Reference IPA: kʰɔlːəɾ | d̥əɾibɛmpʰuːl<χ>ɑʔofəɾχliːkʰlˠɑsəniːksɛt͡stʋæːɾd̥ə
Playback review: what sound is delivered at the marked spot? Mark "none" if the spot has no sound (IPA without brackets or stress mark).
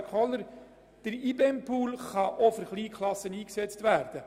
χ